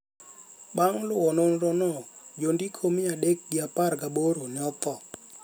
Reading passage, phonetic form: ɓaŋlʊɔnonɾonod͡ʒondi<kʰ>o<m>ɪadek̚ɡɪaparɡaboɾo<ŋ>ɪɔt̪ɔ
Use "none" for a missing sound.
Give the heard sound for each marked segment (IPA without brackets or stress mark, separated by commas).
kʰ, m, n